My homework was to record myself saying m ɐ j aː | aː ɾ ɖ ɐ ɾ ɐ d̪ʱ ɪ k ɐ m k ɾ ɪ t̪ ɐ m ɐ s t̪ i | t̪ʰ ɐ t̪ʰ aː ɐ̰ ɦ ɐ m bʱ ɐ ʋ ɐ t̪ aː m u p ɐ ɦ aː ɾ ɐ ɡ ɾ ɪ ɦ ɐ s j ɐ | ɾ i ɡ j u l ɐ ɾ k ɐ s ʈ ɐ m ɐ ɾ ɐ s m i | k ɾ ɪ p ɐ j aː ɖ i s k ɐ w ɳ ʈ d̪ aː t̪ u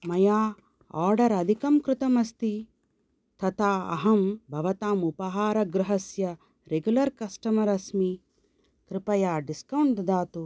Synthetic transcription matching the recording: m ɐ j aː | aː ɾ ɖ ɐ ɾ ɐ d̪ʱ i k ɐ m k ɾ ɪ t̪ ɐ m ɐ s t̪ i | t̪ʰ ɐ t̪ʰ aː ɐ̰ ɦ ɐ m bʱ ɐ ʋ ɐ t̪ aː m u p ɐ ɦ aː ɾ ɐ ɡ ɾ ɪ ɦ ɐ s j ɐ | ɾ e ɡ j u l ɐ ɾ k ɐ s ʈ ɐ m ɐ ɾ ɐ s m i | k ɾ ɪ p ɐ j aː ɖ i s k ɐ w ɳ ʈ d̪ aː t̪ u

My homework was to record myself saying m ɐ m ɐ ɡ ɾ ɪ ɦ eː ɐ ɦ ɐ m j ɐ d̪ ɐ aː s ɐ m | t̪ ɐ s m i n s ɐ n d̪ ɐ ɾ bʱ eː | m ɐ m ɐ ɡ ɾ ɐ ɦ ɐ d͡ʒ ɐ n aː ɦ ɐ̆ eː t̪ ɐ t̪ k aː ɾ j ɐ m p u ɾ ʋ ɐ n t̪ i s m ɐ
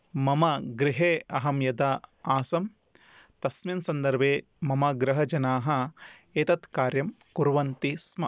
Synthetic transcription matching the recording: m ɐ m ɐ ɡ ɾ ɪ ɦ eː ɐ ɦ ɐ m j ɐ d̪ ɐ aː s ɐ m | t̪ ɐ s m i n s ɐ n d̪ ɐ ɾ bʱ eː | m ɐ m ɐ ɡ ɾ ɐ ɦ ɐ d͡ʒ ɐ n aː ɦ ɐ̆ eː t̪ ɐ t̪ k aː ɾ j ɐ m k u ɾ ʋ ɐ n t̪ i s m ɐ

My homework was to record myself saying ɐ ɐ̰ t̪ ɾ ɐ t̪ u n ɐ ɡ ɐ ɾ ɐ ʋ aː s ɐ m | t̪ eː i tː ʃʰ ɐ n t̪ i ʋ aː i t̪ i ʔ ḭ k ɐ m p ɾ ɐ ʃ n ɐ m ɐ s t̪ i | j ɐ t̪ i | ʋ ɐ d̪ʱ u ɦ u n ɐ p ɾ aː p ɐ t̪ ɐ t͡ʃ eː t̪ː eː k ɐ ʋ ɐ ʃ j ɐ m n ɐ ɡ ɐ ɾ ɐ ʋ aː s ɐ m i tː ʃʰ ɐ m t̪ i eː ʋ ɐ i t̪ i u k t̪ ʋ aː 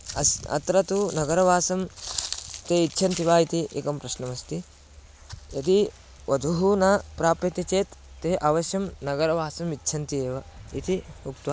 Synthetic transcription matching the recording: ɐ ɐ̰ t̪ ɾ ɐ t̪ u n ɐ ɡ ɐ ɾ ɐ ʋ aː s ɐ m | t̪ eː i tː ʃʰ ɐ n t̪ i ʋ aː i t̪ i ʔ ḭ k ɐ m p ɾ ɐ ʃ n ɐ m ɐ s t̪ i | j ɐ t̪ i | ʋ ɐ d̪ʱ u ɦ u n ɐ p ɾ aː p ɐ t̪ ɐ t͡ʃ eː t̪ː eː ʔ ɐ ʋ ɐ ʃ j ɐ m n ɐ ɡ ɐ ɾ ɐ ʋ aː s ɐ m i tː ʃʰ ɐ n t̪ i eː ʋ ɐ i t̪ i u k t̪ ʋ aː

